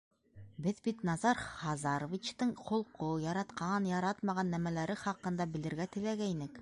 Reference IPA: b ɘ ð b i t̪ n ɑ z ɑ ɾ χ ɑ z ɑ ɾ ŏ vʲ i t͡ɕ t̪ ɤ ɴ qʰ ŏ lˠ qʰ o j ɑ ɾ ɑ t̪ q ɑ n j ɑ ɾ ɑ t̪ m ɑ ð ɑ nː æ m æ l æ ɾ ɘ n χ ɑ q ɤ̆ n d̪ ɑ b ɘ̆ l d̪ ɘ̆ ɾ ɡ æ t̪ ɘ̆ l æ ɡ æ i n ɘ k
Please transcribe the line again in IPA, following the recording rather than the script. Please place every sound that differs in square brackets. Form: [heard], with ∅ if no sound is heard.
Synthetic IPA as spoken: b ɘ ð b i t̪ n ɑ z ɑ ɾ χ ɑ z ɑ ɾ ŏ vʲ i t͡ɕ t̪ ɤ ɴ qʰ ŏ lˠ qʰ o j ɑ ɾ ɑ t̪ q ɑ n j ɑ ɾ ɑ t̪ m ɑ [ʁ] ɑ nː æ m æ l æ ɾ ɘ [∅] χ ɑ q ɤ̆ n d̪ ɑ b ɘ̆ l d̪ ɘ̆ ɾ ɡ æ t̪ ɘ̆ l æ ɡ æ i n ɘ k